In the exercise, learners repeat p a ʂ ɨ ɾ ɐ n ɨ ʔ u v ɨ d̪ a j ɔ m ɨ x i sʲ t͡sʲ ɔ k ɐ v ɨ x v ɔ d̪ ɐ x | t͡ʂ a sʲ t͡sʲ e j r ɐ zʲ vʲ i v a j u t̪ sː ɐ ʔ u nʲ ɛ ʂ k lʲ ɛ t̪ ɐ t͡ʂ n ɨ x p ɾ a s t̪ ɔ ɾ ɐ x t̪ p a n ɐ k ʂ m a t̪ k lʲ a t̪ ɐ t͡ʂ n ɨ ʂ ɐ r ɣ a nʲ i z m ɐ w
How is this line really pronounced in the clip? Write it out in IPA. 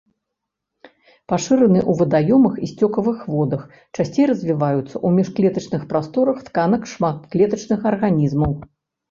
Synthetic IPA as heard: p a ʂ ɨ ɾ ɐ n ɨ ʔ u v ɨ d̪ a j ɔ m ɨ x i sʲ t͡sʲ ɔ k ɐ v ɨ x v ɔ d̪ ɐ x | t͡ʂ a sʲ t͡sʲ e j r ɐ zʲ vʲ i v a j u t̪ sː ɐ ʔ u mʲ ɛ ʂ k lʲ ɛ t̪ ɐ t͡ʂ n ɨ x p ɾ a s t̪ ɔ ɾ ɐ x t̪ k a n ɐ k ʂ m a t̪ k lʲ ɛ t̪ ɐ t͡ʂ n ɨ x ɐ r ɣ a nʲ i z m ɐ w